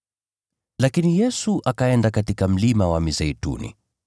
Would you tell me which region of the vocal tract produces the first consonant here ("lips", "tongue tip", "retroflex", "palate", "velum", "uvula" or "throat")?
tongue tip